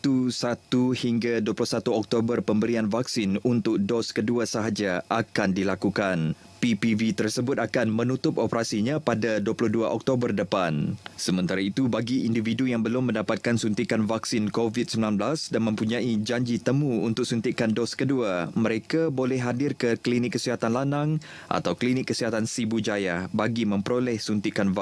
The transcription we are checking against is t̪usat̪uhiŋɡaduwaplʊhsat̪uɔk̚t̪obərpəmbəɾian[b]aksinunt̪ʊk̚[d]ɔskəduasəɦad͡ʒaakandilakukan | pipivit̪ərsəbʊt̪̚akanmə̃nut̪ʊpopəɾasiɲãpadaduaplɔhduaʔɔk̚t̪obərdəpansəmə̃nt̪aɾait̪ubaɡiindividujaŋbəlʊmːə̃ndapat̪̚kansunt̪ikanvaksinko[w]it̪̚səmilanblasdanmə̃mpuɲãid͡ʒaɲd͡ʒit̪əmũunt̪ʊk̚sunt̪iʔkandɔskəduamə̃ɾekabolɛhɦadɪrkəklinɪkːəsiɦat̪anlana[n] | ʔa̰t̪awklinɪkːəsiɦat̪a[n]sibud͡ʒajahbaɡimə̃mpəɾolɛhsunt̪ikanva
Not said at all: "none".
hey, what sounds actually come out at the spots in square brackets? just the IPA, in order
v, d, v, ŋ, n

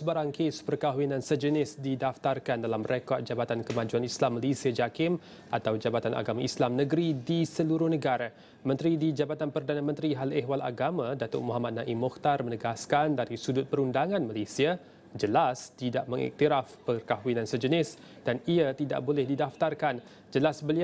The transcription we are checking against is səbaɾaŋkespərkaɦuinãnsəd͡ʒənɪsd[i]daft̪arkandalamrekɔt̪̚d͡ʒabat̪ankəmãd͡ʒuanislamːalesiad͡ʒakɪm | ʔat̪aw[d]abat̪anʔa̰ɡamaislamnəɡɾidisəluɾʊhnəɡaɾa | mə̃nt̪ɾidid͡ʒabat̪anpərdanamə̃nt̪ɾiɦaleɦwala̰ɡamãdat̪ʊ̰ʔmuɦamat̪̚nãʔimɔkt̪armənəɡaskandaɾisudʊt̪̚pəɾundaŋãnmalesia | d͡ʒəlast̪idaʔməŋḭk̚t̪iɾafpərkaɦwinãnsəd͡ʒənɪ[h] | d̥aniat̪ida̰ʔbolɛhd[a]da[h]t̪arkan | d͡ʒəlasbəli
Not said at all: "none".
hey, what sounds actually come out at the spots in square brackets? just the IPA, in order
i, d͡ʒ, s, i, f

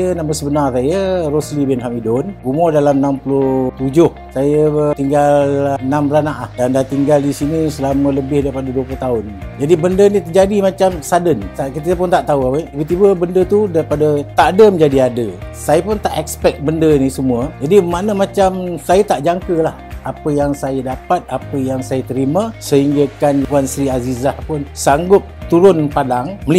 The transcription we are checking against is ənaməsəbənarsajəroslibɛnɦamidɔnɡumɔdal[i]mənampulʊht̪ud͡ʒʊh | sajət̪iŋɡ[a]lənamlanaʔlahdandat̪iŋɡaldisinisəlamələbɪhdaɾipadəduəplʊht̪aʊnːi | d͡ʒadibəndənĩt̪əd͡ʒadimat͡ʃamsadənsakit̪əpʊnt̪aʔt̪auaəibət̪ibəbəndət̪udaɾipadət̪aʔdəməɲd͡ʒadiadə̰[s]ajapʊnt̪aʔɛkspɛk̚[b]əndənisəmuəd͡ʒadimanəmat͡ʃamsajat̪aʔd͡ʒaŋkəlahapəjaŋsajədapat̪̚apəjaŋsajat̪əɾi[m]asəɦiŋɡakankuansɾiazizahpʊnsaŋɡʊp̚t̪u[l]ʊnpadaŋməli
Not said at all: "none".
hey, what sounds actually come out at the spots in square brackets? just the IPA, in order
a, a, s, b, m, ɾ

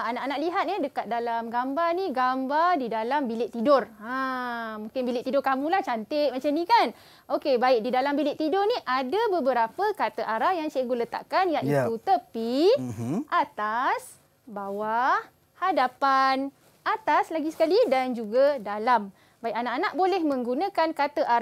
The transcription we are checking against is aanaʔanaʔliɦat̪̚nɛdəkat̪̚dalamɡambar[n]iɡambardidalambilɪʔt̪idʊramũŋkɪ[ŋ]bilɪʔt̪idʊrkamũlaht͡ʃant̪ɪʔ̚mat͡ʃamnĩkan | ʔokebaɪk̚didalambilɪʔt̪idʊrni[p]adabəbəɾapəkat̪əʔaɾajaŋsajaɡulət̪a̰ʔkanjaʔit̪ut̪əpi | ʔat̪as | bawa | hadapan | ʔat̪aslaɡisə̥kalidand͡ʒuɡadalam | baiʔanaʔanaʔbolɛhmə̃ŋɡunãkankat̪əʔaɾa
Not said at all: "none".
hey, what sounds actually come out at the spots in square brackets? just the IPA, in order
n, n, ʔ

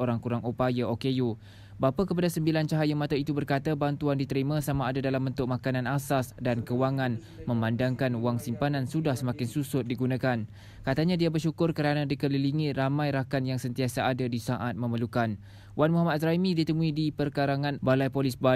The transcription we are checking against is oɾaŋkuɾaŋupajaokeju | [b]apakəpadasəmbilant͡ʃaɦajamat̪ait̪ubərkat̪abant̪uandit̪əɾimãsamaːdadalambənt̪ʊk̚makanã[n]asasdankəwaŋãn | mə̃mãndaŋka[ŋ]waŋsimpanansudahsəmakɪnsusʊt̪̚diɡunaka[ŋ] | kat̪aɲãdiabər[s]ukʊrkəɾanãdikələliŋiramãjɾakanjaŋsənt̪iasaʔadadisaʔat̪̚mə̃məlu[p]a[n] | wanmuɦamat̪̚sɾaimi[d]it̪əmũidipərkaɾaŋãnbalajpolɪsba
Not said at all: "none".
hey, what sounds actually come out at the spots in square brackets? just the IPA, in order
b, n, n, n, ʃ, k, n, d

